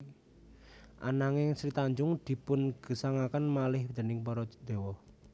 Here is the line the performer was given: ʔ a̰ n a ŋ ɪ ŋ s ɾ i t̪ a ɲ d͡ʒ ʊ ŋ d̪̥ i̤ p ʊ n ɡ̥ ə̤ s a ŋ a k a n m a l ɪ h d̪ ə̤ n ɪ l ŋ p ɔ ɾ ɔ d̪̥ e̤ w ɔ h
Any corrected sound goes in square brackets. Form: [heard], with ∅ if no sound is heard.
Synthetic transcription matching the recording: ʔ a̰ n a ŋ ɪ ŋ s ɾ i t̪ a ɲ d͡ʒ ʊ ŋ d̪̥ i̤ p ʊ n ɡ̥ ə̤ s a ŋ a k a n m a l ɪ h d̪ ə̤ n ɪ [∅] ŋ p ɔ ɾ ɔ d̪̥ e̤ w ɔ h